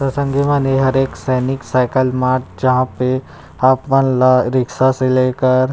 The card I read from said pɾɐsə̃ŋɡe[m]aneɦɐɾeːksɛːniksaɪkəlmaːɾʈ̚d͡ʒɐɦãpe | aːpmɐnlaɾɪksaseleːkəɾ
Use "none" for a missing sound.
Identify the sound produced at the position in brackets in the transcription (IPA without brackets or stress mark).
m